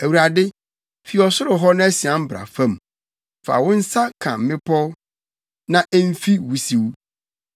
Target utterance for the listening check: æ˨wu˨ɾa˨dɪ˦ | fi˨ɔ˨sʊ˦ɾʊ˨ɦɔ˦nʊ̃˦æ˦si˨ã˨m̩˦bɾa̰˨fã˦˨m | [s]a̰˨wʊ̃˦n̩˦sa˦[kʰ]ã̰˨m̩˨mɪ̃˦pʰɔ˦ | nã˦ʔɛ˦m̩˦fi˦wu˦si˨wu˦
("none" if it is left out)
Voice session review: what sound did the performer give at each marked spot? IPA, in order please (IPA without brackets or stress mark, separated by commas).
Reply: f, kʰ